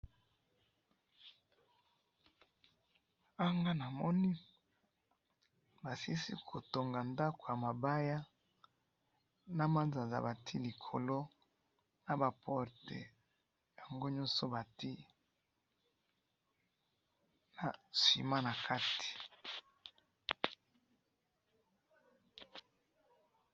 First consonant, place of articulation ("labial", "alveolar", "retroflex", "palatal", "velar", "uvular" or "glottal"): velar